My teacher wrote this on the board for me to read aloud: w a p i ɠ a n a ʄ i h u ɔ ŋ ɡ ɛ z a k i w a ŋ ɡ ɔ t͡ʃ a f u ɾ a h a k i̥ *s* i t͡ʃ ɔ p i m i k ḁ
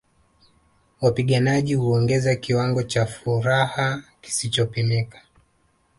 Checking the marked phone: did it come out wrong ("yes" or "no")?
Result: no